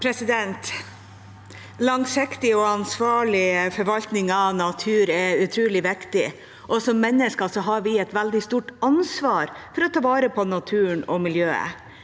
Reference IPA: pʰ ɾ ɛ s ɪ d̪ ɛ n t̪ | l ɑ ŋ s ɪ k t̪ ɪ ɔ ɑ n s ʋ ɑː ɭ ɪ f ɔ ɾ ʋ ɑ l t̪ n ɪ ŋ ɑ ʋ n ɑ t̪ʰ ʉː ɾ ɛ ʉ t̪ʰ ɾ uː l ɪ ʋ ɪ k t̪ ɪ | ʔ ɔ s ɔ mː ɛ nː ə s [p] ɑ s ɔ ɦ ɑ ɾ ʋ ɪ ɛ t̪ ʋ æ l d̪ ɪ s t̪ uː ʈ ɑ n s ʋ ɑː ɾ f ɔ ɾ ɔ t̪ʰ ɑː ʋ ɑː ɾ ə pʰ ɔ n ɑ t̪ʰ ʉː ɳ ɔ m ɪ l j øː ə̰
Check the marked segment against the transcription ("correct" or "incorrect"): incorrect